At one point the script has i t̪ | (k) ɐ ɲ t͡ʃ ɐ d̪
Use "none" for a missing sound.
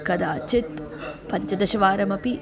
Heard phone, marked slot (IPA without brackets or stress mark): p